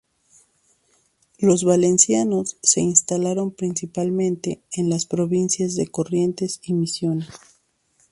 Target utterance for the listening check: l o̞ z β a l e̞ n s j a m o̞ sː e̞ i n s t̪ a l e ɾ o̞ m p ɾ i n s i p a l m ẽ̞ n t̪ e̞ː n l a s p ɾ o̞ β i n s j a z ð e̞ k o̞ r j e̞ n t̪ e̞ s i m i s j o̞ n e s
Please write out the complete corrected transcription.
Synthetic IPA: l o̞ z β a l e̞ n s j a n o̞ sː e̞ i n s t̪ a l a ɾ o̞ m p ɾ i n s i p a l m ẽ̞ n t̪ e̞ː n l a s p ɾ o̞ β i n s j a z ð e̞ k o̞ r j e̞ n t̪ e̞ s i m i s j o̞ n e s